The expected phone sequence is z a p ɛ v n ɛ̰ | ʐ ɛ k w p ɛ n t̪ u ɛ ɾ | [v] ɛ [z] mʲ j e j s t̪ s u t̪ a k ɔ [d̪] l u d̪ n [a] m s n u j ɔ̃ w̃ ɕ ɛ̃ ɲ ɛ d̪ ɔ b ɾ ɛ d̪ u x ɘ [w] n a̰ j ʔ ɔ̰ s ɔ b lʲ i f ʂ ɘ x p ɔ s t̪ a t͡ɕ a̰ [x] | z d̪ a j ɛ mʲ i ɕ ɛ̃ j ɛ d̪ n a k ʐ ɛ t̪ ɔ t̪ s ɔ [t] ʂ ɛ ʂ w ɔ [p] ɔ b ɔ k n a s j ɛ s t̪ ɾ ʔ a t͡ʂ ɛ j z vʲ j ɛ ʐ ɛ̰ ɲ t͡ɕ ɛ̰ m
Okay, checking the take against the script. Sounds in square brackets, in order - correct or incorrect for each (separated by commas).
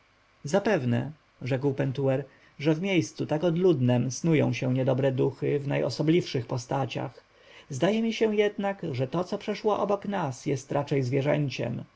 incorrect, incorrect, correct, incorrect, incorrect, correct, incorrect, incorrect